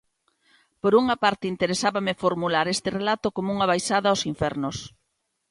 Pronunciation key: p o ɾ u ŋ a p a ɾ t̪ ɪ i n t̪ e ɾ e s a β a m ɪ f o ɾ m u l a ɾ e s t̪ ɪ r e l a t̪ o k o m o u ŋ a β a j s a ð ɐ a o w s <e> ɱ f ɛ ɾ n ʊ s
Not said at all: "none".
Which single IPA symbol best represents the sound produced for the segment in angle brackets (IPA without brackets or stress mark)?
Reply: i